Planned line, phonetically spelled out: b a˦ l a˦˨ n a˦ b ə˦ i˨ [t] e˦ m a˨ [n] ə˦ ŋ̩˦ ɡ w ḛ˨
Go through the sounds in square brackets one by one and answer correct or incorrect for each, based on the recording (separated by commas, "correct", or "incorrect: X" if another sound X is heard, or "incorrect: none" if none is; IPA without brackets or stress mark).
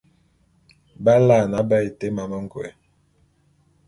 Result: correct, incorrect: m